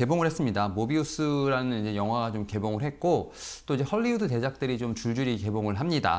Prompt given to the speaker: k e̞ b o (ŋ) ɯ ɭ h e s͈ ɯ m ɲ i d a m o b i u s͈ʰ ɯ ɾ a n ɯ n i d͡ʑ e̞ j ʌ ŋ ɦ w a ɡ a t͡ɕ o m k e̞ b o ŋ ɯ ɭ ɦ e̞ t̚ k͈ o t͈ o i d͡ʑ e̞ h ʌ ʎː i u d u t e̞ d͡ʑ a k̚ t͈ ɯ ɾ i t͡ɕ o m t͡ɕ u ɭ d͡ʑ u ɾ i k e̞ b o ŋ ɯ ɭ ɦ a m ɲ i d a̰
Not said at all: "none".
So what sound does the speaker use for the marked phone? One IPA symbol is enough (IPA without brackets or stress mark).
ŋ